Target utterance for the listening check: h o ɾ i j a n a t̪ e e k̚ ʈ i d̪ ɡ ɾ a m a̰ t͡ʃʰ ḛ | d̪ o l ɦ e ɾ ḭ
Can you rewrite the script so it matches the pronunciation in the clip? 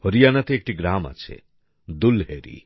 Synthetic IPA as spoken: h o ɾ i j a n a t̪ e e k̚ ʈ i ɡ ɾ a m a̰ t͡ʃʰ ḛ | d̪ u l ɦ e ɾ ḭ